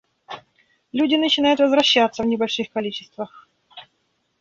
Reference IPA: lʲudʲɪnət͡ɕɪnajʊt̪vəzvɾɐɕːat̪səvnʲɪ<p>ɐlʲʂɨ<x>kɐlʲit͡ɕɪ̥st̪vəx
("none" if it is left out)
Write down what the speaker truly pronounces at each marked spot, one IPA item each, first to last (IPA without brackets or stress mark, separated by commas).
b, x